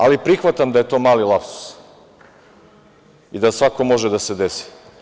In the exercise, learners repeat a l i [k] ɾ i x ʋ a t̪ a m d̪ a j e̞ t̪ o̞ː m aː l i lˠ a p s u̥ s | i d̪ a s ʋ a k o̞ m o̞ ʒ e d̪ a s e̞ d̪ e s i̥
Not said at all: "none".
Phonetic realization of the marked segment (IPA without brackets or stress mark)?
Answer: p